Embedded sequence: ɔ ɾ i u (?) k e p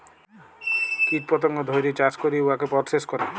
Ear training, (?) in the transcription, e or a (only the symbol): a